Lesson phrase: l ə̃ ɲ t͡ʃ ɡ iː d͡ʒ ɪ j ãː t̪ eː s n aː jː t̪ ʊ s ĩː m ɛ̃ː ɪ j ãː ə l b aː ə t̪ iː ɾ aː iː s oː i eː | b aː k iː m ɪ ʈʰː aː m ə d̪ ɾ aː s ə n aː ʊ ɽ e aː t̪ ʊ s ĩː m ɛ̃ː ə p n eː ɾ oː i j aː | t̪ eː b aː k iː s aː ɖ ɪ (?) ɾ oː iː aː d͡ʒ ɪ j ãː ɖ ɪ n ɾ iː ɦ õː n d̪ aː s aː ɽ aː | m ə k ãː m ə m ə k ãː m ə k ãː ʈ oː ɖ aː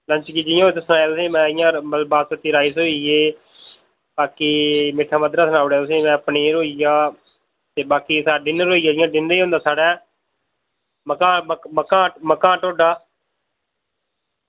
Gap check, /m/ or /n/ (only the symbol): n